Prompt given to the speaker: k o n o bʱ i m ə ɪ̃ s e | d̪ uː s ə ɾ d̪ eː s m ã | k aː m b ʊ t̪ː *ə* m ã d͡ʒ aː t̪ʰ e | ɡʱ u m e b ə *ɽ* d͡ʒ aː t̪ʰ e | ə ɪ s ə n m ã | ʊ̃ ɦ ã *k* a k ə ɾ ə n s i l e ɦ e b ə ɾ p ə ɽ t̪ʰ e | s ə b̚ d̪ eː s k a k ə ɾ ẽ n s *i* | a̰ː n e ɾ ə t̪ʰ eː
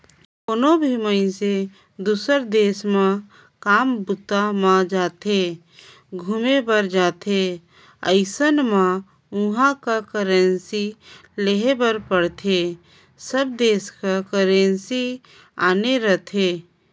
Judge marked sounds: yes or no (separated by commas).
no, no, yes, yes